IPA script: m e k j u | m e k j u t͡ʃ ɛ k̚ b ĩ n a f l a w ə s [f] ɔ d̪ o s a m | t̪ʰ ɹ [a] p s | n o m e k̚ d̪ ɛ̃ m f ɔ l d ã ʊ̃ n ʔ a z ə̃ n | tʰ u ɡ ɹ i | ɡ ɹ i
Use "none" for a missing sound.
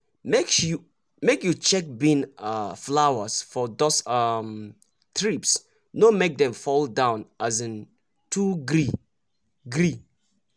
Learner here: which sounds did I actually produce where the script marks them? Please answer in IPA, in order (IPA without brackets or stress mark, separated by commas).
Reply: f, i